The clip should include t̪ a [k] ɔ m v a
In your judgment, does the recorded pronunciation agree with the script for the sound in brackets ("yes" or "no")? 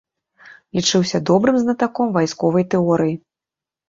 yes